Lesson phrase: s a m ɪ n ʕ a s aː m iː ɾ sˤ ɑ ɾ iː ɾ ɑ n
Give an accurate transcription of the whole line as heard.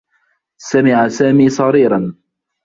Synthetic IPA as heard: s a m ɪ ʕ a s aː m iː sˤ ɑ ɾ iː ɾ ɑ n